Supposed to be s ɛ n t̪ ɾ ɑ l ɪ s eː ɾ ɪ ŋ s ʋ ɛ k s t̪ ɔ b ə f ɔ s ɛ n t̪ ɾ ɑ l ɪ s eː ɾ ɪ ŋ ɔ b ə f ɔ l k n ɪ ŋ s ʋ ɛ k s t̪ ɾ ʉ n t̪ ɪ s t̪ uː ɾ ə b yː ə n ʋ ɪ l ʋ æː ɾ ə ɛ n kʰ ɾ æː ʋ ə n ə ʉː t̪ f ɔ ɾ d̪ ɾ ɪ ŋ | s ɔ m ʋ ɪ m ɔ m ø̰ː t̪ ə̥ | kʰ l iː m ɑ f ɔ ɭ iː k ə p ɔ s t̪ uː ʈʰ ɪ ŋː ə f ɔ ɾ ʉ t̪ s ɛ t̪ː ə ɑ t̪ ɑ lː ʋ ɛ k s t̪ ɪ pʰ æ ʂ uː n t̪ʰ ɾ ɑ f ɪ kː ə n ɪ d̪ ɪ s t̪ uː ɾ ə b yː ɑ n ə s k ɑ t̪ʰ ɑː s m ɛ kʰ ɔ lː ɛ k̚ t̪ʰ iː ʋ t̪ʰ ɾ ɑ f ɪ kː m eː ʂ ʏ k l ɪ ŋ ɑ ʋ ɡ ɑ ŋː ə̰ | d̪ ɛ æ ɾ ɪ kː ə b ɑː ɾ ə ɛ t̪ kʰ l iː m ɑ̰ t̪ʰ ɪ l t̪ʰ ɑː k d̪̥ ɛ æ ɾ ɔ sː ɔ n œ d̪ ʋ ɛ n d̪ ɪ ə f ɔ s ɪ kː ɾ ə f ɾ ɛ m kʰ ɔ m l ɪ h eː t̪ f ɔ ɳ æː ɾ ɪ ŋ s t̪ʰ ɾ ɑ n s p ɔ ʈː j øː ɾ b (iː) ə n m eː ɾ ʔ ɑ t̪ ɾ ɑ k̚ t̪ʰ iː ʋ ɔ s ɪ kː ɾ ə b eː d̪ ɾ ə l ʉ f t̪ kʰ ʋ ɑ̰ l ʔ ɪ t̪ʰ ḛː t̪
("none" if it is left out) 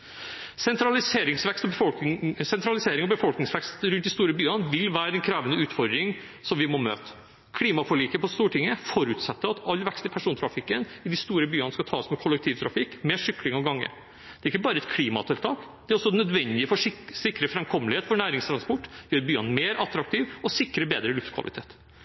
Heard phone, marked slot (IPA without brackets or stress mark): yː